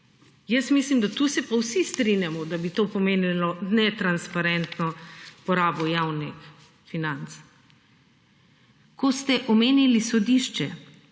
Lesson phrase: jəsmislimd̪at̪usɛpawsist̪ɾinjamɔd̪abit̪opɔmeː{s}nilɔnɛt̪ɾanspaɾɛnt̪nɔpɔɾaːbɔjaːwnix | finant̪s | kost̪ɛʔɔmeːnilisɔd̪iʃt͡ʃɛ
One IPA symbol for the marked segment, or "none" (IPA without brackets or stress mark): none